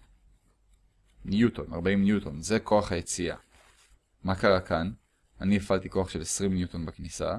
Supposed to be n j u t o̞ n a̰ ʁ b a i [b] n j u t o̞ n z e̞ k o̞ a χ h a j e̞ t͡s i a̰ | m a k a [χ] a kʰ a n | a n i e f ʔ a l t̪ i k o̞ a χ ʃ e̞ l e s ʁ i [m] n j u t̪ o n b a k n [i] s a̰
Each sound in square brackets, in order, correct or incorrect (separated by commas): incorrect, incorrect, correct, correct